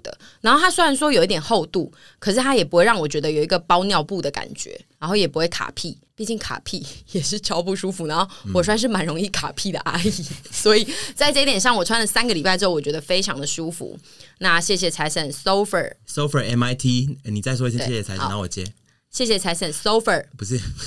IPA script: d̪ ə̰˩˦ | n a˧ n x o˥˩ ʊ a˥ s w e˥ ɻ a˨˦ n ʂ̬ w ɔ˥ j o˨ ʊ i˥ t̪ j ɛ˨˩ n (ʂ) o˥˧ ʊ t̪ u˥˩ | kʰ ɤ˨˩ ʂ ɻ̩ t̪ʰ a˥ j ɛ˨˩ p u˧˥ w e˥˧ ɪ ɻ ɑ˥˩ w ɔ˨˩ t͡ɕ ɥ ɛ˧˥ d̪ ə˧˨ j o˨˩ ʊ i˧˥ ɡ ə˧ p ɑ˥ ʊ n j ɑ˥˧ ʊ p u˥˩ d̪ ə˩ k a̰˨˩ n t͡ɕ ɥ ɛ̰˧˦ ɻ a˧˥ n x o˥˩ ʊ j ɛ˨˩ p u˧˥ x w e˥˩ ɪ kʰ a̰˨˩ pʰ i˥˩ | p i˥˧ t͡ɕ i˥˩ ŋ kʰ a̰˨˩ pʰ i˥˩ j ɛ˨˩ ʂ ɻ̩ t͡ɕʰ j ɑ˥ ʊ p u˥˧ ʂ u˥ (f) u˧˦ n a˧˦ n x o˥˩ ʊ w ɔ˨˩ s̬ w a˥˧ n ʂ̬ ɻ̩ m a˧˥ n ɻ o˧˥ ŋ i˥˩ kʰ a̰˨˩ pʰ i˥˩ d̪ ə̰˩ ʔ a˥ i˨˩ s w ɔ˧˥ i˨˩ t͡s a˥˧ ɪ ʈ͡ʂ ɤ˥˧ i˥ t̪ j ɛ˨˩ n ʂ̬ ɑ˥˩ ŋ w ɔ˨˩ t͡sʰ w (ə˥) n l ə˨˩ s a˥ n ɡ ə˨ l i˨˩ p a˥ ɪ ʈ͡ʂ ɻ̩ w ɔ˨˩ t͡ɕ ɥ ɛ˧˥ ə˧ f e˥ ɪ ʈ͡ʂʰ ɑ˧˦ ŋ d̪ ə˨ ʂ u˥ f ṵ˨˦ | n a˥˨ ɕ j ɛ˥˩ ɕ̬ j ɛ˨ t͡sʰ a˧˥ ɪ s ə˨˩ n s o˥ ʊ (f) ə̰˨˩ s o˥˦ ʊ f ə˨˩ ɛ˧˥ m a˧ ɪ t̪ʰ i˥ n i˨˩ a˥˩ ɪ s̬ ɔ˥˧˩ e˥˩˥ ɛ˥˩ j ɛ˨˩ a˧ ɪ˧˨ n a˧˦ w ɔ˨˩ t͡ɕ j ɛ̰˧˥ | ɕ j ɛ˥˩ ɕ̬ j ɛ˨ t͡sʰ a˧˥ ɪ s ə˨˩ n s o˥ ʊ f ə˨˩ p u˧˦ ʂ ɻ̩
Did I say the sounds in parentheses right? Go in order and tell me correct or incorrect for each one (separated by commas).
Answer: incorrect, correct, incorrect, correct